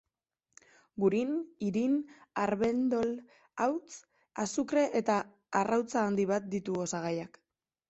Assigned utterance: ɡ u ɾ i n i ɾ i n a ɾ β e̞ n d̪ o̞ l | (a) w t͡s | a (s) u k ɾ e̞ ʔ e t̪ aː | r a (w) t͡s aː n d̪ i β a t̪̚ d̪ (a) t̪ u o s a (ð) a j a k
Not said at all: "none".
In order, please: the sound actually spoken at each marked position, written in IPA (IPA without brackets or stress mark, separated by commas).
a, s, w, i, ɣ